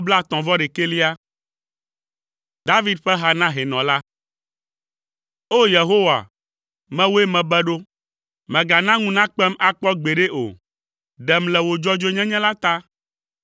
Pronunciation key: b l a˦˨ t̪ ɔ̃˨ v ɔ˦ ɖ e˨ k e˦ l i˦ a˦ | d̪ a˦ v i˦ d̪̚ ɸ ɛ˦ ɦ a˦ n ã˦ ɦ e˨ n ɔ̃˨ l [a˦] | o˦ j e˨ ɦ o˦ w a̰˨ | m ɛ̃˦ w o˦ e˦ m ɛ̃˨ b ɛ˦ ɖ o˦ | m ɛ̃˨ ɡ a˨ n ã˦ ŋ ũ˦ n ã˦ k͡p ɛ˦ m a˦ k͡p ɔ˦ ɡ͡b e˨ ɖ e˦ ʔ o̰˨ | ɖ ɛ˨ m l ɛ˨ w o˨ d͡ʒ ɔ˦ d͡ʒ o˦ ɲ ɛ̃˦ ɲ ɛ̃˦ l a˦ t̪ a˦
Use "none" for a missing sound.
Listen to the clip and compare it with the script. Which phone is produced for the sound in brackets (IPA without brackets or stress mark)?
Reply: a˦